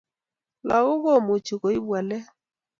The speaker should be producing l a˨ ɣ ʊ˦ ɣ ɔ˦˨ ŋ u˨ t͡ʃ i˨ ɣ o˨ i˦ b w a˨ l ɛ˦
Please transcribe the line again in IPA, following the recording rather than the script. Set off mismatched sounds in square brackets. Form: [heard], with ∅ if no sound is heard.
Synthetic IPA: l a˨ ɣ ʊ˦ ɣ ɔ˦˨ [m] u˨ t͡ʃ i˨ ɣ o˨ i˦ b w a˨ l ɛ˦